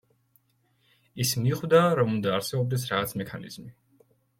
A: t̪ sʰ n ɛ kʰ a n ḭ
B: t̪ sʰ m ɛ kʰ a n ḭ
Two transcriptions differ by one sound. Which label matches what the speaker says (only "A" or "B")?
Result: B